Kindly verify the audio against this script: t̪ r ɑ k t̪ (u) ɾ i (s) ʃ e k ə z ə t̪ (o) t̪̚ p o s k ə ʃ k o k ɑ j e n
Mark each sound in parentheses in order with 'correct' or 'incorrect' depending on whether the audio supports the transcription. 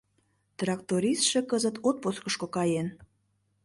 incorrect: o, correct, correct

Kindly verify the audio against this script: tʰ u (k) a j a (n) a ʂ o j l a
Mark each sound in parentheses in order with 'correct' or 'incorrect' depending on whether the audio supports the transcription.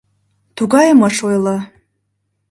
incorrect: ɡ, incorrect: m

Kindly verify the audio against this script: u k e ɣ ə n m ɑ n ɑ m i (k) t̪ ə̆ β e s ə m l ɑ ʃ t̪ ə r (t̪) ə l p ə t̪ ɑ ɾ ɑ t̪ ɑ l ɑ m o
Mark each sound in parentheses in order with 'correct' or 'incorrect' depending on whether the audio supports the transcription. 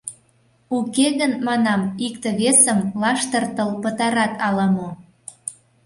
correct, correct

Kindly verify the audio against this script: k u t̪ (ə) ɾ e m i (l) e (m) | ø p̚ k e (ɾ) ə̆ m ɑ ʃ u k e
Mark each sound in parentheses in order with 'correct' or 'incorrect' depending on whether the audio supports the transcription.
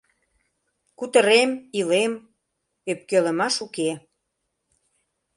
correct, correct, correct, incorrect: l

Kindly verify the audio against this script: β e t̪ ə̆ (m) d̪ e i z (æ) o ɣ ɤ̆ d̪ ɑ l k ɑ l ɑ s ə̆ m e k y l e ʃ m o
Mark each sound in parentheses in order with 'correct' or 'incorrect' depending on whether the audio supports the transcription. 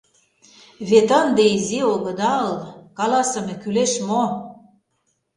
incorrect: n, incorrect: i

